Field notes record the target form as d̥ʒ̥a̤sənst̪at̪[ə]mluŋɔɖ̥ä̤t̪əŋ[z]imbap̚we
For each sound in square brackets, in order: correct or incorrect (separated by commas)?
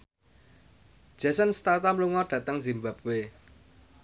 incorrect, correct